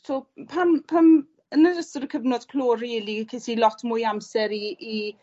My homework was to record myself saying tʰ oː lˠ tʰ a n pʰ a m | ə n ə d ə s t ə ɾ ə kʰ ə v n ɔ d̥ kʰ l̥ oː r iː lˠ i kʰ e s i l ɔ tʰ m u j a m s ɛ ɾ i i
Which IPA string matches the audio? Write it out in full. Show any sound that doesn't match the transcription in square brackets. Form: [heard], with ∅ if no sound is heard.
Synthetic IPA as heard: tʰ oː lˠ [pʰ] a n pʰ a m | ə n ə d ə s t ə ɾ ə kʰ ə v n ɔ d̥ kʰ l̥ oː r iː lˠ i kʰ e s i l ɔ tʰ m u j a m s ɛ ɾ i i